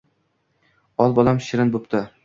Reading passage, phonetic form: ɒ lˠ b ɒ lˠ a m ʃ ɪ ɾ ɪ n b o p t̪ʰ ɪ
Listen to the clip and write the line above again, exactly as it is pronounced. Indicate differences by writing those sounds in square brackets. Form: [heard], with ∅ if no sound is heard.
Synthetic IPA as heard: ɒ lˠ b ɒ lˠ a m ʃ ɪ ɾ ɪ n b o p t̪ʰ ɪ